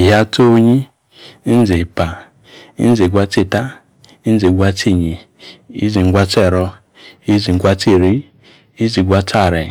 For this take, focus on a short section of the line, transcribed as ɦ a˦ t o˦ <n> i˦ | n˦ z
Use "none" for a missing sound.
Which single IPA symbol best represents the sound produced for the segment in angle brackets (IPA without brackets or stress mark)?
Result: ɲ